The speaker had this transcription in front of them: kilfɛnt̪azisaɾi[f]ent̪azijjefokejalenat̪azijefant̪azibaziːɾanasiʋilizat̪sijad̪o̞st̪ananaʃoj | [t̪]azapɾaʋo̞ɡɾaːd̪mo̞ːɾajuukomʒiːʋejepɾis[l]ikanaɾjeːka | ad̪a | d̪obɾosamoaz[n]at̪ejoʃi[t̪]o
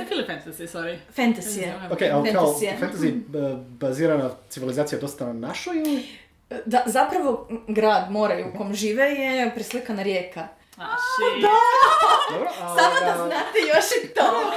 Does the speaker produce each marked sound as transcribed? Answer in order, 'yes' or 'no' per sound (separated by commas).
yes, no, yes, yes, yes